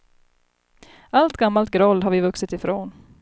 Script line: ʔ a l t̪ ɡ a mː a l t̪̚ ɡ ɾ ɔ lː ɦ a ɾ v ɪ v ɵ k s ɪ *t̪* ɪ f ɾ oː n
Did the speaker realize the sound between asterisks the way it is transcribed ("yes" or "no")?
yes